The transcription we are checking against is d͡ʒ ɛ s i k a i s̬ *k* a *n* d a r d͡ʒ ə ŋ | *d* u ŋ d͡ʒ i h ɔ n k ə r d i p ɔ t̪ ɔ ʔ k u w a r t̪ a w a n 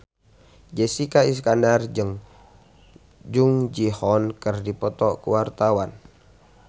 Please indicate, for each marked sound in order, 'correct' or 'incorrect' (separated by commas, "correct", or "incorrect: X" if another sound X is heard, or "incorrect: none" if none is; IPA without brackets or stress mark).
correct, correct, incorrect: d͡ʒ